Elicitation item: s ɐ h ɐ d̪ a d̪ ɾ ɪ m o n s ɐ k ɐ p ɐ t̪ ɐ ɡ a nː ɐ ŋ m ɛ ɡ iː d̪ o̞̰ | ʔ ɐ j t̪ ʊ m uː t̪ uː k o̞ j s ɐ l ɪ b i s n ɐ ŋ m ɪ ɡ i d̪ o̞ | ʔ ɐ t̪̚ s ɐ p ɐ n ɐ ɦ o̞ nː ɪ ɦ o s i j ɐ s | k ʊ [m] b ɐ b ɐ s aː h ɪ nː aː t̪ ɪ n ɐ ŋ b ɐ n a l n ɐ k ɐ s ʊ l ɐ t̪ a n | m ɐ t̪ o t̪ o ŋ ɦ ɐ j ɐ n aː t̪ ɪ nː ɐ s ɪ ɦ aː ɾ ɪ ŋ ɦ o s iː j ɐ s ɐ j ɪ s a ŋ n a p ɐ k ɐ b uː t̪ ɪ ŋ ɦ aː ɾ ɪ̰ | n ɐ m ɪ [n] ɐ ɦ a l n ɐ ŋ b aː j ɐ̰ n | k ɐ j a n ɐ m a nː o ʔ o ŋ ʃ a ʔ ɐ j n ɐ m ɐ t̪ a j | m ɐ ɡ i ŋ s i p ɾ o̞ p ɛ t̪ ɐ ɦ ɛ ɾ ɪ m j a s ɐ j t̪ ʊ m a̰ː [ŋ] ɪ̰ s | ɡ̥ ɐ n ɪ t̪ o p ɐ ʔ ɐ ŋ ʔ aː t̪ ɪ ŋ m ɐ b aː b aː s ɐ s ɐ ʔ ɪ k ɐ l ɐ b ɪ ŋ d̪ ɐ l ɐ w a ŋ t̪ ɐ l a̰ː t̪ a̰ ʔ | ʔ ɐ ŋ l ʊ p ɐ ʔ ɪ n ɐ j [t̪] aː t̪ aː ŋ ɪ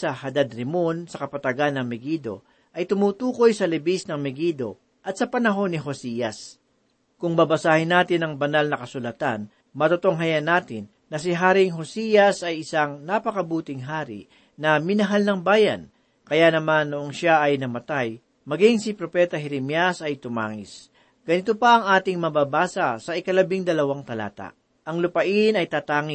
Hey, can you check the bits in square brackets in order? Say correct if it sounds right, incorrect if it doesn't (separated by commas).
incorrect, correct, correct, correct